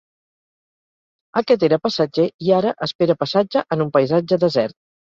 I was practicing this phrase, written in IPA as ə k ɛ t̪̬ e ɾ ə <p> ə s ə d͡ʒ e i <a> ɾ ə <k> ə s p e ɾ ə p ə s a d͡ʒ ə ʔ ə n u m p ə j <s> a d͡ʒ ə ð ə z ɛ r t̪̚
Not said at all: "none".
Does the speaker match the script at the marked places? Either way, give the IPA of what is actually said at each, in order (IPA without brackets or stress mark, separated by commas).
p, a, ʔ, z